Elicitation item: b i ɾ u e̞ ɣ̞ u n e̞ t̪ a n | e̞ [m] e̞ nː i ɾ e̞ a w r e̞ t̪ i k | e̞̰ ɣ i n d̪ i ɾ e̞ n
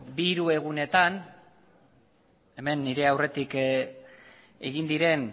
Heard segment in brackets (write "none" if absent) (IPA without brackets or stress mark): m